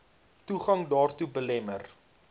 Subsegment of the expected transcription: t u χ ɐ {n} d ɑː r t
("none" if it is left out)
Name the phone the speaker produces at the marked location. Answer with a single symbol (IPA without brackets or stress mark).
ŋ